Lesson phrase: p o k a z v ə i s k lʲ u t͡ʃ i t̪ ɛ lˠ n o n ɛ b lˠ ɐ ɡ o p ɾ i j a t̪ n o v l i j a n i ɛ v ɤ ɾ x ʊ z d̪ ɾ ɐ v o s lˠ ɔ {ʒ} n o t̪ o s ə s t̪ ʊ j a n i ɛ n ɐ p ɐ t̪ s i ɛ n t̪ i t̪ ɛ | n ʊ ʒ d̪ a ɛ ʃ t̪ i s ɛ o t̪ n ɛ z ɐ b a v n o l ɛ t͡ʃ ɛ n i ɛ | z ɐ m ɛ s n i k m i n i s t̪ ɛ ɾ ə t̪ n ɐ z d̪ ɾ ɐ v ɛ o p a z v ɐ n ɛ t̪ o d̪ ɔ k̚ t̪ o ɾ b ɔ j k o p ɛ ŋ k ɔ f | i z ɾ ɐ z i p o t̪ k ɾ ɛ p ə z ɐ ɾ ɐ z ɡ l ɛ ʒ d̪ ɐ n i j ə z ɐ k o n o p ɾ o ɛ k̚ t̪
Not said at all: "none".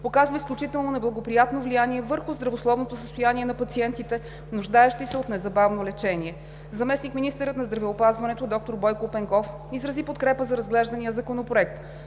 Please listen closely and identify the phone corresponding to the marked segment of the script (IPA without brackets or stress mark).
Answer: v